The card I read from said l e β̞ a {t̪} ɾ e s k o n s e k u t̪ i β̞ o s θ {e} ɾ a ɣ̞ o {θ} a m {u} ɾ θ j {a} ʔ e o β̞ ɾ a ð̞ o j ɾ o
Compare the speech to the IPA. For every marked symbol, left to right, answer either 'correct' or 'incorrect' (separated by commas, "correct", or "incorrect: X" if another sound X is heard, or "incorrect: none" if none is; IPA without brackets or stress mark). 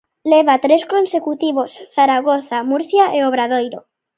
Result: correct, incorrect: a, correct, correct, correct